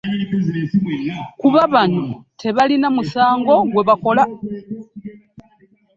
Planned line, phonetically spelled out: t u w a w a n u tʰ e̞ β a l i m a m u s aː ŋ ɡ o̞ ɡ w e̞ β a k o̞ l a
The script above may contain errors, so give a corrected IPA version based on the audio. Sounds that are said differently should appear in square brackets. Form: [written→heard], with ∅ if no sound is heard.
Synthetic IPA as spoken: [t→k] u [w→β] a [w→β] a n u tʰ e̞ β a l i [m→n] a m u s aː ŋ ɡ o̞ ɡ w e̞ β a k o̞ l a